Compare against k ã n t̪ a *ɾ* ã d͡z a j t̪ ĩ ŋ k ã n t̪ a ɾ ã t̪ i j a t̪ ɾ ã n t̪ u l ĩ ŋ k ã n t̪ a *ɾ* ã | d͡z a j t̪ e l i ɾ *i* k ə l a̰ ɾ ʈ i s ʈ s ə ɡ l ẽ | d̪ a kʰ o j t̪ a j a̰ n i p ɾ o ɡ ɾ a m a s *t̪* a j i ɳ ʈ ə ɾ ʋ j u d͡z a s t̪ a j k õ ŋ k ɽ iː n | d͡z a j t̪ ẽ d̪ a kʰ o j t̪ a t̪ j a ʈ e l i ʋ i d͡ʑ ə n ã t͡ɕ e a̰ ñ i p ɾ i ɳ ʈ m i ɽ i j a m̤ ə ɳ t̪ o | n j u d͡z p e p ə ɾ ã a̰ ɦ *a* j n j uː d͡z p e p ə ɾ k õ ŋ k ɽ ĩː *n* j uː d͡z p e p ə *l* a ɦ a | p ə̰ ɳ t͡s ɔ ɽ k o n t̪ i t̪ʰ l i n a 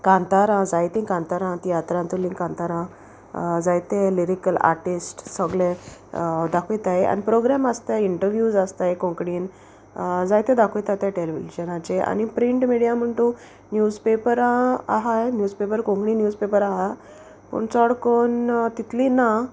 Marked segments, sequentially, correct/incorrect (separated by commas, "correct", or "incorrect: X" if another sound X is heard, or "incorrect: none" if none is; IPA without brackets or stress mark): correct, correct, correct, correct, correct, correct, incorrect: ɾ